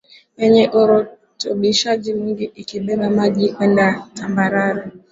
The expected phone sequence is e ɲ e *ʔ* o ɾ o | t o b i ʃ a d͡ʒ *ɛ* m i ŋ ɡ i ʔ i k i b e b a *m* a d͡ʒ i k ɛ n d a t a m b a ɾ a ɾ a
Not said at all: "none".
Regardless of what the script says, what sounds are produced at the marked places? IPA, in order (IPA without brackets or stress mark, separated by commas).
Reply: ʔ, i, m